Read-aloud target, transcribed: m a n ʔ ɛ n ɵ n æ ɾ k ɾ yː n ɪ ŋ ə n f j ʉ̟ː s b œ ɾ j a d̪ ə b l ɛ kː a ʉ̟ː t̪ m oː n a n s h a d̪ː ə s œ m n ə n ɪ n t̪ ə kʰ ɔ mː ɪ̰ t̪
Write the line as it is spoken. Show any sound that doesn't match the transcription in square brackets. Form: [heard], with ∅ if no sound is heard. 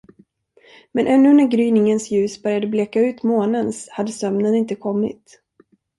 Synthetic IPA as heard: m [ɛ] n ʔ ɛ [nː] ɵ n æ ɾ [ɡ] ɾ yː n ɪ ŋ ə n [s] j ʉ̟ː s b œ ɾ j a d̪ ə b l ɛ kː a ʉ̟ː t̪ m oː n [ə] n s h a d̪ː ə s œ m n ə n ɪ n t̪ ə kʰ ɔ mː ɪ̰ t̪